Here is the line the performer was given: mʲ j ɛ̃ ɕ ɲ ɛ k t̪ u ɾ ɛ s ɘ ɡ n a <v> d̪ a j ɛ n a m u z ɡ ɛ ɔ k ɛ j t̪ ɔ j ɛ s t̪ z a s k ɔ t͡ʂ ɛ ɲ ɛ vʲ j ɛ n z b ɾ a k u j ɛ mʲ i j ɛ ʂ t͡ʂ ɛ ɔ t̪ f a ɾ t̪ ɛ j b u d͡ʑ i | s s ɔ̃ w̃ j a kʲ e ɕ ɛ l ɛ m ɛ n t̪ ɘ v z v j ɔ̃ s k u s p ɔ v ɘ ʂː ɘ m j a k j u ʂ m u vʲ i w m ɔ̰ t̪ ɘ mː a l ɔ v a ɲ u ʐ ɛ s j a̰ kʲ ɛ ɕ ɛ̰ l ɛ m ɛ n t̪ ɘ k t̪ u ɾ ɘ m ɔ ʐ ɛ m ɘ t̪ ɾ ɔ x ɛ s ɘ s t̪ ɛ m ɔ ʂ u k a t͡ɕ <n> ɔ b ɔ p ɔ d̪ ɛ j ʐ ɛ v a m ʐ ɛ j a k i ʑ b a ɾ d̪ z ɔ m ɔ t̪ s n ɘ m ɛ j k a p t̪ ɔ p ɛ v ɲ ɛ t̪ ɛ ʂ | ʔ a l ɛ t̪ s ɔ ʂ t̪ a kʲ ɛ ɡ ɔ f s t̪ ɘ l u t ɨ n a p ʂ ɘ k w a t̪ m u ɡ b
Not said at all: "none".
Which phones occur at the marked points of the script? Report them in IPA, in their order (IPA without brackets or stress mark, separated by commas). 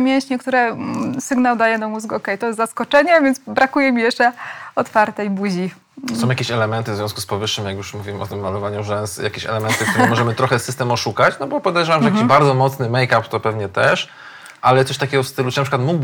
w, n